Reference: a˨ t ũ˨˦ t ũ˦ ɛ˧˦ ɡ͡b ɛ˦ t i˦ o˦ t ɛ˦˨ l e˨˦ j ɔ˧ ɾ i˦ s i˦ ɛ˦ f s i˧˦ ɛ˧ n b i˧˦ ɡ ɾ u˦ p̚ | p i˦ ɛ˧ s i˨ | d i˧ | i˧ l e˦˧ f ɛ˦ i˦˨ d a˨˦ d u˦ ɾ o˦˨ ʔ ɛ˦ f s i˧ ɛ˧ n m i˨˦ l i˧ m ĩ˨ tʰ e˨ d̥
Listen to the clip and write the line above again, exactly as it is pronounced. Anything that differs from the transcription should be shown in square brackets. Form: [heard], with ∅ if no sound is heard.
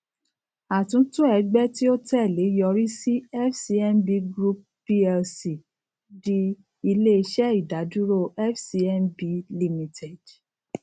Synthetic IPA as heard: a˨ t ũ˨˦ t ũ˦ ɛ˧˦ ɡ͡b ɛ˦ t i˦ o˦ t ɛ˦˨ l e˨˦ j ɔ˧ ɾ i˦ s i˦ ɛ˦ f s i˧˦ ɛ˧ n b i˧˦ ɡ ɾ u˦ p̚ | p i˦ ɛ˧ s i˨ | d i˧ | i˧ l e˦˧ [ʃ] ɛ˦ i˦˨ d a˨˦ d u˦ ɾ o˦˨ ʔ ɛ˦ f s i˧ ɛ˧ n [b] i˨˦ l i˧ m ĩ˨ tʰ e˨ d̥